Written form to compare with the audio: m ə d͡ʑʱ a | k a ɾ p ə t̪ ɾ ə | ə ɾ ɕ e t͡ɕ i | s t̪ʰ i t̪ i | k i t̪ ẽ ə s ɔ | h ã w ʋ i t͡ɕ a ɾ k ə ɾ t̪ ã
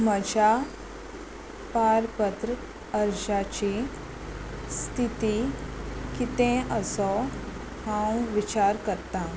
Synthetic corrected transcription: m ə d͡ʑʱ a | p a ɾ p ə t̪ ɾ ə | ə ɾ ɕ a t͡ɕ i | s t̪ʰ i t̪ i | k i t̪ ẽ ə s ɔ | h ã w ʋ i t͡ɕ a ɾ k ə ɾ t̪ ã